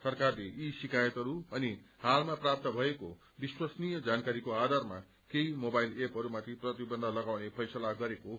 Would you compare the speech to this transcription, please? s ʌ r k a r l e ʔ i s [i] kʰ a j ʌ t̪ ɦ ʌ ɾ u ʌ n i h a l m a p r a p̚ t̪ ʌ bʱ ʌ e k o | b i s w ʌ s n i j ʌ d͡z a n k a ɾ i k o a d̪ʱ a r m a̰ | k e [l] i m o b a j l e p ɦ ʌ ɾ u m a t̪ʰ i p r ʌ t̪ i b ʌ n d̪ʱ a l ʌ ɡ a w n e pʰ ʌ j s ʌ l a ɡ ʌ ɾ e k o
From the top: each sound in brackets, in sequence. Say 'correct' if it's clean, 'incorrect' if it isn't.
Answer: correct, incorrect

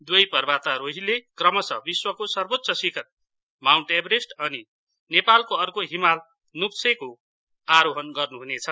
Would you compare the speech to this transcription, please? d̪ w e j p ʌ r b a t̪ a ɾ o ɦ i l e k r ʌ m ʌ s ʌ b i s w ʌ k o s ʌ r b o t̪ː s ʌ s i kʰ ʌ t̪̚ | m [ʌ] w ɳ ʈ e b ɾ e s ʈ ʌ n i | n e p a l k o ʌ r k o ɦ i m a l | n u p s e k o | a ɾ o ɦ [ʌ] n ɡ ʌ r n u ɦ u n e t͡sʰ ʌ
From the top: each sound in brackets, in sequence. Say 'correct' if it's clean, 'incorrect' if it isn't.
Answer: incorrect, correct

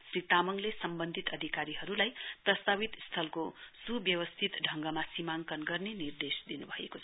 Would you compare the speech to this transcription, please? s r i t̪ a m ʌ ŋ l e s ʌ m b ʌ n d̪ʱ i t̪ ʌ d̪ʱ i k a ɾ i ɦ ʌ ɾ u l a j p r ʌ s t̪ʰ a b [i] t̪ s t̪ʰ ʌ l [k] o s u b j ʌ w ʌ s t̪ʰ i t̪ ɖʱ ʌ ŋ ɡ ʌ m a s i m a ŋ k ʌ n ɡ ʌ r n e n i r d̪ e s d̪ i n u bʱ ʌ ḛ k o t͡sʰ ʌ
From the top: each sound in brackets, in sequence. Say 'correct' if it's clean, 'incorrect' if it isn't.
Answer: correct, correct

